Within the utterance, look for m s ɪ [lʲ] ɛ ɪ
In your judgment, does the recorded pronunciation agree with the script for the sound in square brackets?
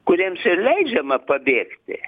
yes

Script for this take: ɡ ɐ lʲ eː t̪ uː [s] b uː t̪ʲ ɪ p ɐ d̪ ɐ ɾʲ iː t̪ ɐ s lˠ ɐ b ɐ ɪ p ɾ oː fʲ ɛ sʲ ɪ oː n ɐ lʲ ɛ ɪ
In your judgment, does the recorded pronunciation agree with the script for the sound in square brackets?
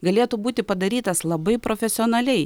no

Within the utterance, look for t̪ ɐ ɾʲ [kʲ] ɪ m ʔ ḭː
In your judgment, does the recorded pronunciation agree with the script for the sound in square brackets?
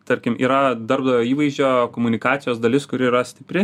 yes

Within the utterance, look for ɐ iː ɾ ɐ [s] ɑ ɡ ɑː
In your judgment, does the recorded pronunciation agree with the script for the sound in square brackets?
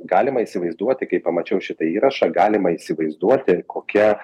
no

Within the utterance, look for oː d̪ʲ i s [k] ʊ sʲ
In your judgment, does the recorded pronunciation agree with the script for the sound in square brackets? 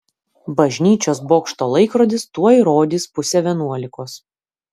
no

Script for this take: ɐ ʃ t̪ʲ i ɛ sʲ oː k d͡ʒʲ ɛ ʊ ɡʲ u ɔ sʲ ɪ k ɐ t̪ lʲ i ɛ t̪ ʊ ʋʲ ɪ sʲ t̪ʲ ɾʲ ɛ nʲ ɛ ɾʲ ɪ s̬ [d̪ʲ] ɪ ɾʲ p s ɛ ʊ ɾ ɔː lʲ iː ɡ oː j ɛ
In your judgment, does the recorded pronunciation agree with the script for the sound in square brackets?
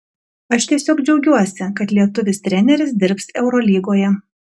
yes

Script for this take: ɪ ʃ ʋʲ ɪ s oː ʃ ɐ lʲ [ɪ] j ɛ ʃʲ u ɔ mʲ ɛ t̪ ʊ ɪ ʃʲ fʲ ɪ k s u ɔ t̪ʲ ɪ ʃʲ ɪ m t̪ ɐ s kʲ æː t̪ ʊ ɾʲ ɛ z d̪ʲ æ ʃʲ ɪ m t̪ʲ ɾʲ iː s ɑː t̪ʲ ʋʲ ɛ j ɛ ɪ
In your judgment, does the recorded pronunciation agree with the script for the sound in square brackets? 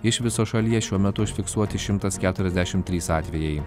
no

